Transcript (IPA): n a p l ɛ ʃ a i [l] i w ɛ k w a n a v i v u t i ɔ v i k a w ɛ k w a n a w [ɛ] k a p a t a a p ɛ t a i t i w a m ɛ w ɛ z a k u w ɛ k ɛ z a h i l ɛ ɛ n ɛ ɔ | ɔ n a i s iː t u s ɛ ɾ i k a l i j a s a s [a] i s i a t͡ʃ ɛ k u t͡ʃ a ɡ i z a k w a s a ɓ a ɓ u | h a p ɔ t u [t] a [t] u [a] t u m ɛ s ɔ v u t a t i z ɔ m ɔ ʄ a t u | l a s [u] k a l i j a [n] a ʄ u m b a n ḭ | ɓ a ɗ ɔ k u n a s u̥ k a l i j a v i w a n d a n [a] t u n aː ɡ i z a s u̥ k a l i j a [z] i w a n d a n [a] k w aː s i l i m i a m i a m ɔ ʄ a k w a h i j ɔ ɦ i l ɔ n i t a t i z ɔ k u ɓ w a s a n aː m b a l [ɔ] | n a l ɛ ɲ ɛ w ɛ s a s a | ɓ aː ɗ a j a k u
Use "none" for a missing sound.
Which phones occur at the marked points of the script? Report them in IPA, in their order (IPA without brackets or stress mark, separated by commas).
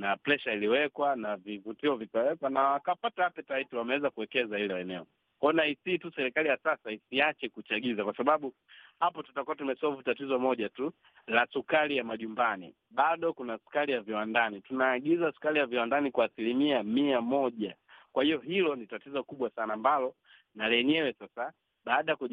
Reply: l, a, a, t, k, a, u, m, i, v, i, ɔ